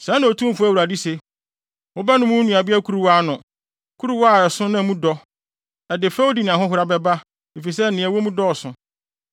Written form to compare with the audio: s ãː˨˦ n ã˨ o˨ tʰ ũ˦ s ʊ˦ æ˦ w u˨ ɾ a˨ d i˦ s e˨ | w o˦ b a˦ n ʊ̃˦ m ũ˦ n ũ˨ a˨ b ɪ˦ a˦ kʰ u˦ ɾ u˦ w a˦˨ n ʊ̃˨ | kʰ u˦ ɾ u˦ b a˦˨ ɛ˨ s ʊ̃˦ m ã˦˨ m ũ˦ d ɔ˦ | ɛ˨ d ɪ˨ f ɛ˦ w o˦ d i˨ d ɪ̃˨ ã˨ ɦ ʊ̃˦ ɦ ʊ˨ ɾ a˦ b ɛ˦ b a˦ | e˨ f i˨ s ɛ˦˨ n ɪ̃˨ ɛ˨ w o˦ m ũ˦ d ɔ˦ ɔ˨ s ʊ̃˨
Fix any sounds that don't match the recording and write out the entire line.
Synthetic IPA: s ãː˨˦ n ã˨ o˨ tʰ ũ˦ f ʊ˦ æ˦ w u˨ ɾ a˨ d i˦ s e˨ | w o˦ b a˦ n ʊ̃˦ m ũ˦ n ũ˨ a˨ b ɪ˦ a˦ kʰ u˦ ɾ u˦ w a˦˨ n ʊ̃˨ | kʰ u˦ ɾ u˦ w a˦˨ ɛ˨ s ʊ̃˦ n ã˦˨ m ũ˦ d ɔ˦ | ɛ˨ d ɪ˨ f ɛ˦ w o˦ d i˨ n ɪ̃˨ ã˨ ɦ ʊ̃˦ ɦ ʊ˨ ɾ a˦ b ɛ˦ b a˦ | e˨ f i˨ s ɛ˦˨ n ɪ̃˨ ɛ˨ w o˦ m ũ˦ d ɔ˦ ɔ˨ s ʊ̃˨